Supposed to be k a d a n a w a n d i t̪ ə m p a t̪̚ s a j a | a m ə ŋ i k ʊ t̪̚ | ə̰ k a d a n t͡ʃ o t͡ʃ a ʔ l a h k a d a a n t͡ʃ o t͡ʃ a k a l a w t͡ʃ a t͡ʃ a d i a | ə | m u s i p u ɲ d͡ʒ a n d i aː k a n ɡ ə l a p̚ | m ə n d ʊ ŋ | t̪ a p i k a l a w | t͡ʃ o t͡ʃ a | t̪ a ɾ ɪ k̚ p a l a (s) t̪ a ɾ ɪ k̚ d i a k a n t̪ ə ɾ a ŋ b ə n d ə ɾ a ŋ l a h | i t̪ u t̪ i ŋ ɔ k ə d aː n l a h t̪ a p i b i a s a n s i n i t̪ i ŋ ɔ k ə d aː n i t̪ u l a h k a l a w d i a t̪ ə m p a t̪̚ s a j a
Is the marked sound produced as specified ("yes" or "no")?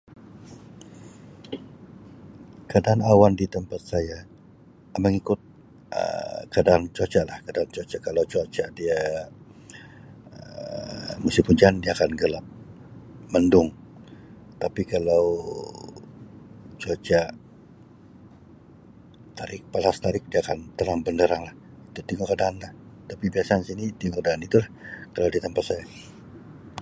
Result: yes